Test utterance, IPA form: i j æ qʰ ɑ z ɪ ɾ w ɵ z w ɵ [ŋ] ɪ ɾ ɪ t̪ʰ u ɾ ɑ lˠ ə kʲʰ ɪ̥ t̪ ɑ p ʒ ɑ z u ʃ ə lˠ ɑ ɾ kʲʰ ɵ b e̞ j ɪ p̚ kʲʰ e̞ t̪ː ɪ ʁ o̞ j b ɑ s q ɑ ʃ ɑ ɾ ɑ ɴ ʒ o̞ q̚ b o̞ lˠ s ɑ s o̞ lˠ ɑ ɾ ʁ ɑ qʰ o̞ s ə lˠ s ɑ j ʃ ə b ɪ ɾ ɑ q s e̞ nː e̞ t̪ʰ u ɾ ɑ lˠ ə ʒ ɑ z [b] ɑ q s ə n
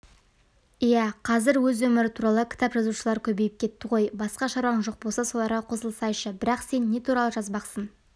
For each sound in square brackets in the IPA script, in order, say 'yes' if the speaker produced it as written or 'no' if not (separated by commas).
no, yes